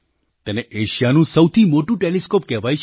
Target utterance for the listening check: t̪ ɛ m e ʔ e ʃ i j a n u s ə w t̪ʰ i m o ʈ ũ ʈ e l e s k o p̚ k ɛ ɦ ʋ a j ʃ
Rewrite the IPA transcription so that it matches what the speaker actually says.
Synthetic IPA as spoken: t̪ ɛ n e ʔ e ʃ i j a n ũ s ə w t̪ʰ i m o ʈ ũ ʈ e l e s k o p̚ k ɛ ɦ ʋ a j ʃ